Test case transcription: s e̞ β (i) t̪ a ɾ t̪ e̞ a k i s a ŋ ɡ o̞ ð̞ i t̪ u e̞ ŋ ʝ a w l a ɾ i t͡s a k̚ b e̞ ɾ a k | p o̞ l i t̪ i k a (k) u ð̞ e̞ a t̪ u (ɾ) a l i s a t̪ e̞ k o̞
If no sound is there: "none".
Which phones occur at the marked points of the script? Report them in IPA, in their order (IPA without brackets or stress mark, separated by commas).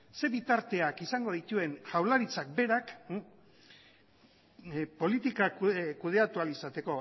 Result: i, k, none